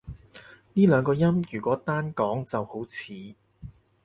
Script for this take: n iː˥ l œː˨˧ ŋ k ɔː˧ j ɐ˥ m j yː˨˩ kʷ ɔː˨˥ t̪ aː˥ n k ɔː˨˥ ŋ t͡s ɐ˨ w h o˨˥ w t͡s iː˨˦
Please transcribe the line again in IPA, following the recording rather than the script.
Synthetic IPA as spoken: n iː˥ l œː˨˧ ŋ k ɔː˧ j ɐ˥ m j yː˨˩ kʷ ɔː˨˥ t̪ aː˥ n k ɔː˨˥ ŋ t͡s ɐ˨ w h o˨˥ w t͡sʰ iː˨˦